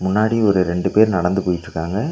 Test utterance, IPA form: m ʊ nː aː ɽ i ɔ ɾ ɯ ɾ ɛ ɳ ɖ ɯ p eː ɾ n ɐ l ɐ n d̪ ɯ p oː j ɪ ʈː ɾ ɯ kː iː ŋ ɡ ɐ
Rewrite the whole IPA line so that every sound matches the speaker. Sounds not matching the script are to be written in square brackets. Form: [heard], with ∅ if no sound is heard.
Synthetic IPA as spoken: m ʊ nː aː ɽ i ɔ ɾ ɯ ɾ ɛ ɳ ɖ ɯ p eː ɾ n ɐ [ɽ] ɐ n d̪ ɯ p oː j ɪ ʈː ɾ ɯ kː [aː] ŋ ɡ ɐ